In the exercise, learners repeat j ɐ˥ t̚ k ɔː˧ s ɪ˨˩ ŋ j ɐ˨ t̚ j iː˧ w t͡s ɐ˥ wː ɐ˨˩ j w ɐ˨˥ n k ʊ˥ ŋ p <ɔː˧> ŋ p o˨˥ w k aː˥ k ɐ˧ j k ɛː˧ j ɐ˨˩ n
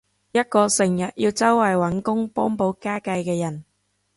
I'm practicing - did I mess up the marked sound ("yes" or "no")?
yes